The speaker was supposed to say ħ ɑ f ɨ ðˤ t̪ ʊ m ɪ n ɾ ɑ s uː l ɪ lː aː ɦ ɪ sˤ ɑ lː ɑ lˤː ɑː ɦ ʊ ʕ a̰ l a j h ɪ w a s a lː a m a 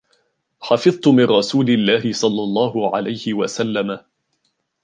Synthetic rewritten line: ħ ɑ f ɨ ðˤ t̪ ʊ m ɪ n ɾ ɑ s uː l ɪ lː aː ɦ ɪ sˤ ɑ lː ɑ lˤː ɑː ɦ ʊ ʕ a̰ l a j h ɪ w a s a lː a m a